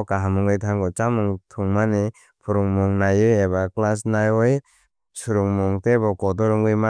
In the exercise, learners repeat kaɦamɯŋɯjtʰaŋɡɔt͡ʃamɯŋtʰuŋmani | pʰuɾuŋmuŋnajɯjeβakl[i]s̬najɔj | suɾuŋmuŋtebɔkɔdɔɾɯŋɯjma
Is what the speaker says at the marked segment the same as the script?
no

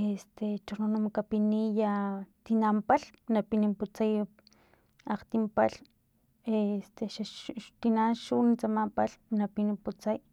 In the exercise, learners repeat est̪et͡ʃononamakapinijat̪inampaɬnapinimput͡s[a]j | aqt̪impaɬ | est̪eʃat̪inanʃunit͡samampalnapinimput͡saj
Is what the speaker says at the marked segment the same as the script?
yes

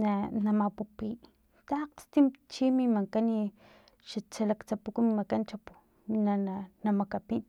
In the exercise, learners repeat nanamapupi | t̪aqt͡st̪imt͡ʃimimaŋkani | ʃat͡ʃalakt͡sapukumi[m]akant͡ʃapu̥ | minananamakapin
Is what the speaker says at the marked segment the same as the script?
yes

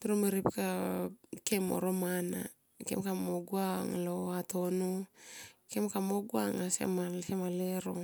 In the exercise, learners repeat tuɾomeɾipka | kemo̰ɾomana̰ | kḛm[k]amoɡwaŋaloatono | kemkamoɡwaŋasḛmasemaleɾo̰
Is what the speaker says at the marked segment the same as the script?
yes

